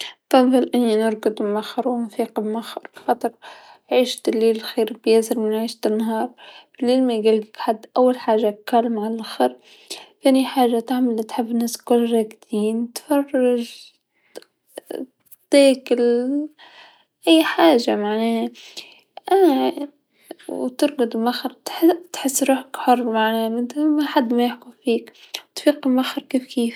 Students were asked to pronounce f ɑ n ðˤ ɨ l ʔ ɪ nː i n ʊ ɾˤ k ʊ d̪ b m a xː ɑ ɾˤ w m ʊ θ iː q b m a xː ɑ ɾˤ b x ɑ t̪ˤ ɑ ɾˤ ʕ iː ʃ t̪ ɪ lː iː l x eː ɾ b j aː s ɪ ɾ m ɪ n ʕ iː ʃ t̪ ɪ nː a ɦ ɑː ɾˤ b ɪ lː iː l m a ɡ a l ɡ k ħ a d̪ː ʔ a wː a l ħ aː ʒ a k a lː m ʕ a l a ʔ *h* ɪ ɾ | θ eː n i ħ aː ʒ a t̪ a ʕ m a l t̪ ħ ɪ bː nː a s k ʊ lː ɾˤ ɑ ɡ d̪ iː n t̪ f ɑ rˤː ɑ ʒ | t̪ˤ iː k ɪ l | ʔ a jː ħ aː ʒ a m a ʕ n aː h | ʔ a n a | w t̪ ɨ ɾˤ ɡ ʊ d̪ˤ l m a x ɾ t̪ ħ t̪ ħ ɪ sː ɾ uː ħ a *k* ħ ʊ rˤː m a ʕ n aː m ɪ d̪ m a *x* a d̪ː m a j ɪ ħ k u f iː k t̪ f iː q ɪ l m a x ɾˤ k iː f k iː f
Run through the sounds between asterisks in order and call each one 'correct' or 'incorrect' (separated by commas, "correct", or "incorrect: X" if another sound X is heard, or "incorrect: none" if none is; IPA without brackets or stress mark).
incorrect: x, correct, incorrect: ħ